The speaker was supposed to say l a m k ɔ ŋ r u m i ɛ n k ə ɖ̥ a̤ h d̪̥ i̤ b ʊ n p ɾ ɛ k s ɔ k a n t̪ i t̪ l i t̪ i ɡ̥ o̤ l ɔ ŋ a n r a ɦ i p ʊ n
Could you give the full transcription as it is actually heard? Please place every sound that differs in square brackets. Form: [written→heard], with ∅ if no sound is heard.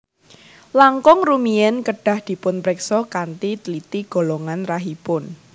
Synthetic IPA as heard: l a [m→ŋ] k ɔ ŋ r u m i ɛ n k ə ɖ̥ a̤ h d̪̥ i̤ [b→p] ʊ n p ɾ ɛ k s ɔ k a n t̪ i t̪ l i t̪ i ɡ̥ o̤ l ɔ ŋ a n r a ɦ i p ʊ n